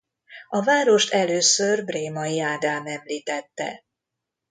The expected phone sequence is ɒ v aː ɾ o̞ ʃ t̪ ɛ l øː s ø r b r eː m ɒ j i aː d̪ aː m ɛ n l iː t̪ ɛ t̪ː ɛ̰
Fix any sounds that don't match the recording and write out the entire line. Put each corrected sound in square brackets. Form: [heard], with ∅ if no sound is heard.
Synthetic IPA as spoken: ɒ v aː ɾ o̞ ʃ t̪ ɛ l øː s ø r b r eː m ɒ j i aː d̪ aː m ɛ [m] l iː t̪ ɛ t̪ː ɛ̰